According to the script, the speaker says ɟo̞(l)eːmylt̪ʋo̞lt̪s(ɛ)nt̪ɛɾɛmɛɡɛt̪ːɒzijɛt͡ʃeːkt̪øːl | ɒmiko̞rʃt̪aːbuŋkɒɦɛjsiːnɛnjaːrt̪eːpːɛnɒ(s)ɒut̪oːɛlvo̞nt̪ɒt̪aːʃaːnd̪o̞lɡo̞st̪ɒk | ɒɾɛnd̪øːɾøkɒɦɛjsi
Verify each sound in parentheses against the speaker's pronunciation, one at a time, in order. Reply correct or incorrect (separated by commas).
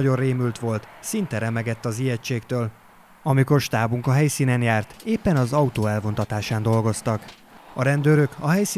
incorrect, incorrect, incorrect